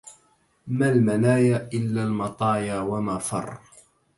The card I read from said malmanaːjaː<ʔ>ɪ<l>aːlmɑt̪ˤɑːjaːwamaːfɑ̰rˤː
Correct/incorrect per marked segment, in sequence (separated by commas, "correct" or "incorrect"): correct, incorrect